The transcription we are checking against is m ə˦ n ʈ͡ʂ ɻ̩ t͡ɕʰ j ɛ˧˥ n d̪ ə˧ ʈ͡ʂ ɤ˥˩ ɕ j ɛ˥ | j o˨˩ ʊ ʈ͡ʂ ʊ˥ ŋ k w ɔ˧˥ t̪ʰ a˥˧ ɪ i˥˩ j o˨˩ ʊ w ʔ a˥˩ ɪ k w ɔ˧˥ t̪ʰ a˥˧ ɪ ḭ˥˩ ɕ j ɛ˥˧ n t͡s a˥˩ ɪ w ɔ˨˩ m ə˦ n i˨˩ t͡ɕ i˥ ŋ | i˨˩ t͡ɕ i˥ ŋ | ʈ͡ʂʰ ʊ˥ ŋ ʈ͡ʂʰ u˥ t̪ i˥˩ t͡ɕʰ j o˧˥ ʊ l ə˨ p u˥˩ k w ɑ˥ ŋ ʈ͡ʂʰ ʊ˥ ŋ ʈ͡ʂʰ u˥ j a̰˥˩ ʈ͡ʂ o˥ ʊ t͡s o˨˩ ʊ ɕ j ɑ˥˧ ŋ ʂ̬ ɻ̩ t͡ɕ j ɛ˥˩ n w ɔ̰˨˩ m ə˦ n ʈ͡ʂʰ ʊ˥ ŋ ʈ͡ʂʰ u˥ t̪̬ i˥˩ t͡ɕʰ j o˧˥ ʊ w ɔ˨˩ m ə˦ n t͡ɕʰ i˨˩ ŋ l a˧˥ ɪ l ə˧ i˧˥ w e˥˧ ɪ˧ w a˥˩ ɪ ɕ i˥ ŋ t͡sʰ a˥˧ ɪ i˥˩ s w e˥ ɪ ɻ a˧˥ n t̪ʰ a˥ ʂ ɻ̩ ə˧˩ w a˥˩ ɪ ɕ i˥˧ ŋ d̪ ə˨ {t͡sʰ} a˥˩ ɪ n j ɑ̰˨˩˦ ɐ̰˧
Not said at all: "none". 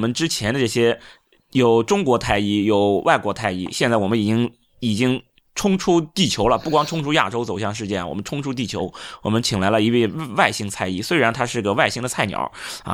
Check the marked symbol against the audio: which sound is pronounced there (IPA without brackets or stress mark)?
t͡sʰ